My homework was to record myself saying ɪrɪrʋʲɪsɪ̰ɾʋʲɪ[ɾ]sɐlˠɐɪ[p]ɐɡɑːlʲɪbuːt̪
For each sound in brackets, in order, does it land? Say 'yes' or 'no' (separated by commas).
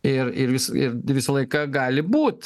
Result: no, no